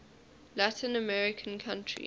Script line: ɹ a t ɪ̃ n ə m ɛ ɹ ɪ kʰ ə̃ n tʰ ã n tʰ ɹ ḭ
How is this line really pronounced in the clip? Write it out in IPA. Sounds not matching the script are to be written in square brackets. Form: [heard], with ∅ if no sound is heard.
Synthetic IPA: [l] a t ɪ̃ n ə m ɛ ɹ ɪ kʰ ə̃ n [kʰ] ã n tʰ ɹ ḭ